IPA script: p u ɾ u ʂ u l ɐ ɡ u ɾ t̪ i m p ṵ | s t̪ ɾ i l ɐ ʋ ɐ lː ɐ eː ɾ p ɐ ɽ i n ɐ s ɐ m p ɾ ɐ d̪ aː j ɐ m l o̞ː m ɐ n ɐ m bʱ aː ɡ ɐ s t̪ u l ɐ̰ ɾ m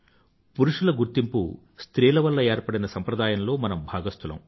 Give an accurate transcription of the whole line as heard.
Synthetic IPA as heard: p u ɾ u ʂ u l ɐ ɡ u ɾ t̪ i m p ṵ | s t̪ ɾ iː l ɐ ʋ ɐ lː ɐ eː ɾ p ɐ ɽ i n ɐ s ɐ m p ɾ ɐ d̪ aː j ɐ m l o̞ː m ɐ n ɐ m bʱ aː ɡ ɐ s t̪ u l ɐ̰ m

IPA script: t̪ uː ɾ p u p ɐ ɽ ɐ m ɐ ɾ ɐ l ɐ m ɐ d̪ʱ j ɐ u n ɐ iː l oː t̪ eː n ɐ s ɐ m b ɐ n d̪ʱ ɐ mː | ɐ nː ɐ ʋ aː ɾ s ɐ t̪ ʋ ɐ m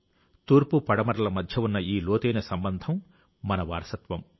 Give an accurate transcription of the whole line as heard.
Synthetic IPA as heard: t̪ uː ɾ p u p ɐ ɽ ɐ m ɐ ɾ ɐ l ɐ m ɐ d̪ʱ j ɐ u nː ɐ iː l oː t̪ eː n ɐ s ɐ m b ɐ n d̪ʱ ɐ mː | ɐ n ɐ ʋ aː ɾ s ɐ t̪ ʋ ɐ m

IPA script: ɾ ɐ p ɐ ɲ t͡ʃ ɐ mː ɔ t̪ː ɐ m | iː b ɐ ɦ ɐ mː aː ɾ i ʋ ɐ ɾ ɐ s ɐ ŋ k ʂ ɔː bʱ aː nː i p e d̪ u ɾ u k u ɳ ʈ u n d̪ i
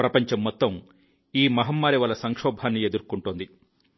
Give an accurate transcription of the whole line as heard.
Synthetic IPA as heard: ɾ ɐ p ɐ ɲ t͡ʃ ɐ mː ɔ t̪ː ɐ m | iː m ɐ ɦ ɐ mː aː ɾ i ʋ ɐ l ɐ s ɐ ŋ k ʂ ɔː bʱ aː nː i e d̪ u ɾ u k u ɳ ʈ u n d̪ i

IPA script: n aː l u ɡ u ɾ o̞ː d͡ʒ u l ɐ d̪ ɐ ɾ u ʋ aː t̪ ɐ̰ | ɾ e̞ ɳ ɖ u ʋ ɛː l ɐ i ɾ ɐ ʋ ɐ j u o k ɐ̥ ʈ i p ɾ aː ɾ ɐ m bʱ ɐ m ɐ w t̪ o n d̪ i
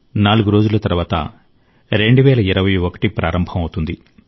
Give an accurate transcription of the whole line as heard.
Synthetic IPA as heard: n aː l u ɡ u ɾ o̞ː d͡ʒ u l ɐ t̪ ɐ ɾ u ʋ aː t̪ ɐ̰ | ɾ e̞ ɳ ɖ u ʋ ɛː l ɐ i ɾ ɐ ʋ ɐ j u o k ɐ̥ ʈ i p ɾ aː ɾ ɐ m bʱ ɐ m ɐ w t̪ u n d̪ i

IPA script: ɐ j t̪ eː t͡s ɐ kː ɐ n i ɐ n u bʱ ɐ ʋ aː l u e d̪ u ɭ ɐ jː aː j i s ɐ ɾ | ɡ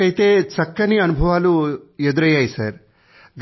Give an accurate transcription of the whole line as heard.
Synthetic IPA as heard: ɐ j t̪ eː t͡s ɐ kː ɐ n i ɐ n u bʱ ɐ ʋ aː l u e d̪ u ɾ ɐ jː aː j i s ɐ ɾ | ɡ

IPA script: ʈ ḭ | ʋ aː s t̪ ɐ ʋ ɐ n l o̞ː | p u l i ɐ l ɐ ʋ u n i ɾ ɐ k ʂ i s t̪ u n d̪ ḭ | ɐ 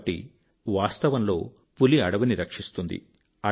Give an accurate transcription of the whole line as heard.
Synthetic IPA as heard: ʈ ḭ | ʋ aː s t̪ ɐ ʋ ɐ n l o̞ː | p u l i ɐ ɽ ɐ ʋ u n i ɾ ɐ k ʂ i s t̪ u n d̪ ḭ | ɐ

